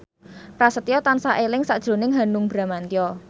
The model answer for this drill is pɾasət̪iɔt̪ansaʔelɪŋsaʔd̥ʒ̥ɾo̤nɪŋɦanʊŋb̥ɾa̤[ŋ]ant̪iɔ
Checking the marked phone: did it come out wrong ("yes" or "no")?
yes